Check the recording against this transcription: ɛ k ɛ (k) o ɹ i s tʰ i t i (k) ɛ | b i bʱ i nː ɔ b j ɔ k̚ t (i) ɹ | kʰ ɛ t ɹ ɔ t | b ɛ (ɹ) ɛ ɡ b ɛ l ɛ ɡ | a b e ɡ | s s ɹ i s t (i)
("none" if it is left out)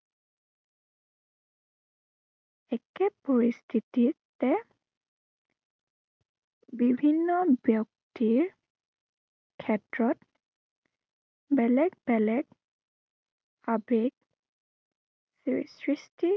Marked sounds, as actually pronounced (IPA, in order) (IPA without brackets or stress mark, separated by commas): p, t, i, l, i